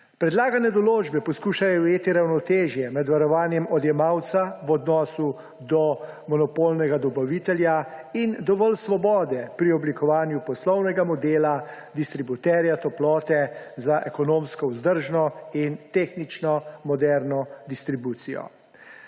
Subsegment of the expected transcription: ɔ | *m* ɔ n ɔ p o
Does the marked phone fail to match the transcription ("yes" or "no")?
no